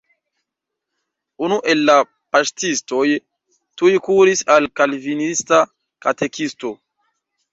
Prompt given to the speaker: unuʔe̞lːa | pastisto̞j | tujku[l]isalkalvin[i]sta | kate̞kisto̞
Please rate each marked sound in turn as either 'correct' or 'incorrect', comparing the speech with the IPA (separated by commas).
incorrect, correct